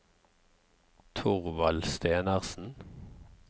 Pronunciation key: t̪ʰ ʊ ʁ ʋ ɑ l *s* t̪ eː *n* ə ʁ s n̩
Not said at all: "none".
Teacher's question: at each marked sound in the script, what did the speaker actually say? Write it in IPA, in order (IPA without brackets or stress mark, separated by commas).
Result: s, n